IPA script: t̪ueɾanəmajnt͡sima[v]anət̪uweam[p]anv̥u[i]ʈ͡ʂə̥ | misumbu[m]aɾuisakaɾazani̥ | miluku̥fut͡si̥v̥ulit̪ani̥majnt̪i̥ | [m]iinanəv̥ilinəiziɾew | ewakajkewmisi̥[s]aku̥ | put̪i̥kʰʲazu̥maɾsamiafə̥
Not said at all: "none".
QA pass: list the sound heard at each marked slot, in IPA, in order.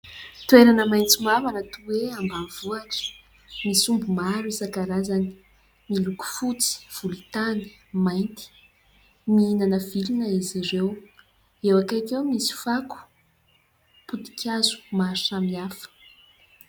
v, b, a, m, m, f

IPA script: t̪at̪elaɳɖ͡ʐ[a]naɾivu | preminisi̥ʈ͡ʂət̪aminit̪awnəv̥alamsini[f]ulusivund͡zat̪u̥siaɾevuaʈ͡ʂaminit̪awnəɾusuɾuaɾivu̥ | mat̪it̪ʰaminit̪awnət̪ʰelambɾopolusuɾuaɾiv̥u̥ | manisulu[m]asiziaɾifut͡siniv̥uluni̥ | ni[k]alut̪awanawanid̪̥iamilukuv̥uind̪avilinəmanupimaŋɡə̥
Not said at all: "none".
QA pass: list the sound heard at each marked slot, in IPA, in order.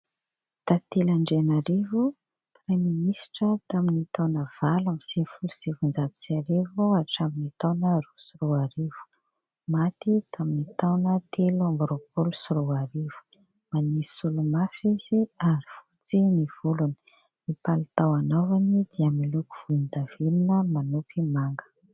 e, f, m, p

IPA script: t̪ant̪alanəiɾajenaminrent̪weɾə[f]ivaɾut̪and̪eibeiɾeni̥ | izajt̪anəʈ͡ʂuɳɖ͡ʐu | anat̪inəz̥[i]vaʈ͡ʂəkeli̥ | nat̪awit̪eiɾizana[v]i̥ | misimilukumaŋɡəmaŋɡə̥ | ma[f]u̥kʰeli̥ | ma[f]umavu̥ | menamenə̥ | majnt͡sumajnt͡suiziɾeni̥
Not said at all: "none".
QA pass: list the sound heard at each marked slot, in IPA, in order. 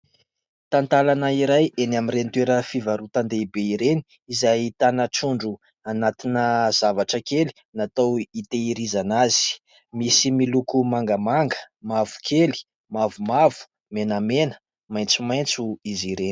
f, a, z, v, v

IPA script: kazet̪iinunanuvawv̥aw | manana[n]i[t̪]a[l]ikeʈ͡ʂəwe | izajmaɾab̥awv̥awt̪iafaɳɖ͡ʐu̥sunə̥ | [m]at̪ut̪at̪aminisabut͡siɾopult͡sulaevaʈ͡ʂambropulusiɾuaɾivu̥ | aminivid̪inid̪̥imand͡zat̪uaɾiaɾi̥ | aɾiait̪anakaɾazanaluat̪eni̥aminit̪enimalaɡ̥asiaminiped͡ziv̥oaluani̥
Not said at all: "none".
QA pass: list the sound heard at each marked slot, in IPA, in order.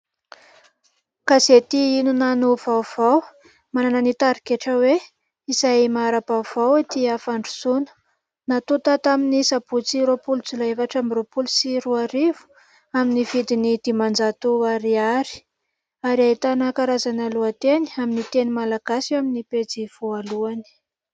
n, t̪, ɾ, n

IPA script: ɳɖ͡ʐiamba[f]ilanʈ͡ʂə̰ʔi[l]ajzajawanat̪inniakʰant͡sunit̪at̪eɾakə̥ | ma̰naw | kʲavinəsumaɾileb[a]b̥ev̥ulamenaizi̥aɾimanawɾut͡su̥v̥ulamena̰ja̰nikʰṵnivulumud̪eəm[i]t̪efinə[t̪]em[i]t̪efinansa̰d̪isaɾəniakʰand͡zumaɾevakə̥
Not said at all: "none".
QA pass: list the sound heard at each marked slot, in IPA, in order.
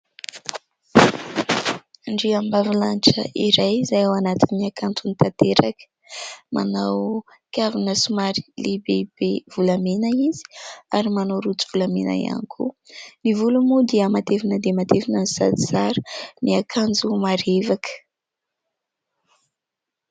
v, ɾ, e, a, d̪, a

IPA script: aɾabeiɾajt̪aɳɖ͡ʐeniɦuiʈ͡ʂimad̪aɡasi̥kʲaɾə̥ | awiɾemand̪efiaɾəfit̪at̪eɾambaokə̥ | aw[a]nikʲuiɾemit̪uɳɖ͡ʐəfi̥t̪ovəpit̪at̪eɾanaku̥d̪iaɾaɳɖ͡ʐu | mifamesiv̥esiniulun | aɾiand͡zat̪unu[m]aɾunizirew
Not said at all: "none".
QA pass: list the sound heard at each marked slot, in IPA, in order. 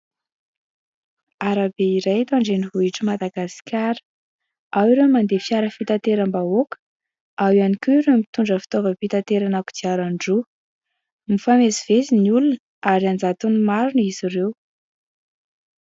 a, m

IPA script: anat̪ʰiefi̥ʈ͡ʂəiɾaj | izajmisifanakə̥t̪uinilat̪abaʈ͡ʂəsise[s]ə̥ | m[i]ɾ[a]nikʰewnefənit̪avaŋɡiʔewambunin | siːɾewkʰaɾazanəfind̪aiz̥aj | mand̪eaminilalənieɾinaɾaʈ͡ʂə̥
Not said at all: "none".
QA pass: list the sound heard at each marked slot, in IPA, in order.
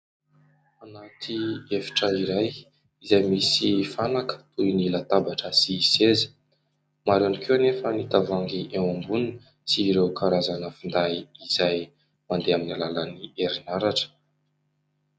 z, a, a

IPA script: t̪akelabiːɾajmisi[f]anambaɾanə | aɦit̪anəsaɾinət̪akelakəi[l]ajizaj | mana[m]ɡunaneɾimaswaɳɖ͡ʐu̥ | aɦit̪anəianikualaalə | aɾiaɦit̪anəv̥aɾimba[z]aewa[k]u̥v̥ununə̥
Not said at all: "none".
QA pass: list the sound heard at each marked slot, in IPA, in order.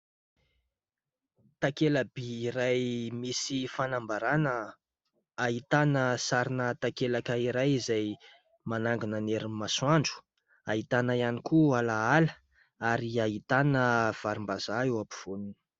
f, ɾ, ŋ, z, p

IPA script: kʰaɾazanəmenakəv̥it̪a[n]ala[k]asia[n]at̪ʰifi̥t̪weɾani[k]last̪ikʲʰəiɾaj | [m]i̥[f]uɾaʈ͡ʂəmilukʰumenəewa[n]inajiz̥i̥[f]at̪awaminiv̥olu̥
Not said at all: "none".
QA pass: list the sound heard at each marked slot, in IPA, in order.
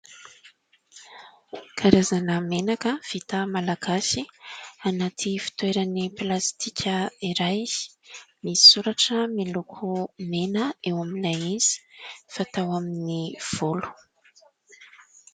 m, ɡ, n, p, m, s, m, f

